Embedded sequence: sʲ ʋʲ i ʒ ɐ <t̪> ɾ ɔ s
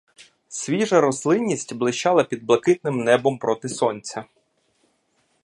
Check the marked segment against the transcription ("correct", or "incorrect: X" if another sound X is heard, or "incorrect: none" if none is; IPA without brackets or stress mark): incorrect: none